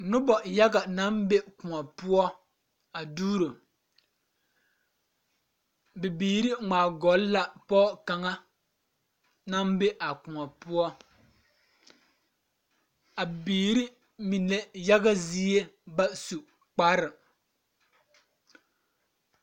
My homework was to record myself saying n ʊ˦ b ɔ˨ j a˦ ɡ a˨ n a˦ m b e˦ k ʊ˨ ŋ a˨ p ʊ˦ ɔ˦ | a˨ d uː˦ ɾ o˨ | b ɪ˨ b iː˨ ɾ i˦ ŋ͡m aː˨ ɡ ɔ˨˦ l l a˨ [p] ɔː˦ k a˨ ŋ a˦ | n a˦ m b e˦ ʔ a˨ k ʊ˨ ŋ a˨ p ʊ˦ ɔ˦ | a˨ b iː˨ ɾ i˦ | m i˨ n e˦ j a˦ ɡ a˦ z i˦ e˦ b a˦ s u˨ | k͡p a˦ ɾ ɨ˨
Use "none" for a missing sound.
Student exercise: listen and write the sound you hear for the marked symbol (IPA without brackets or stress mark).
p